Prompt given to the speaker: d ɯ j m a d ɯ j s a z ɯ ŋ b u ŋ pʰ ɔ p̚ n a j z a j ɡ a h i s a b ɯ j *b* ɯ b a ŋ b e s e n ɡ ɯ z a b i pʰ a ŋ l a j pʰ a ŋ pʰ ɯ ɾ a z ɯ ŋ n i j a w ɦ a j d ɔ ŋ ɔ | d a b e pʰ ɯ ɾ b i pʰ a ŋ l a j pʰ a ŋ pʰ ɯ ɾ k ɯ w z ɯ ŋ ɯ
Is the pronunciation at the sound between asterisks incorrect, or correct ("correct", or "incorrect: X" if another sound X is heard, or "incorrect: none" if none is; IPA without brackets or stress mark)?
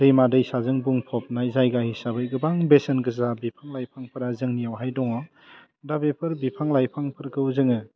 incorrect: ɡ